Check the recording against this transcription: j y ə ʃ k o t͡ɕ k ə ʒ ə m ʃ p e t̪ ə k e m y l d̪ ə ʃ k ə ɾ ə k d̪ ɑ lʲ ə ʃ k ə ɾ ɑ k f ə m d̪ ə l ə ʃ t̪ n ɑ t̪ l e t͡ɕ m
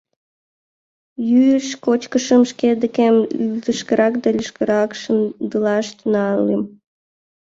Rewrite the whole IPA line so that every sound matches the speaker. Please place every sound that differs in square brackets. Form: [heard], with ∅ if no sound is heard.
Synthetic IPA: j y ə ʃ k o t͡ɕ k ə [ʃ] ə m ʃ [k] e [d̪] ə k e m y l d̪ ə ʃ k ə ɾ [ɑ] k d̪ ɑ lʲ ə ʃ k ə ɾ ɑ k [ʃ] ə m d̪ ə l [ɑ] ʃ t̪ n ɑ [∅] l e [∅] m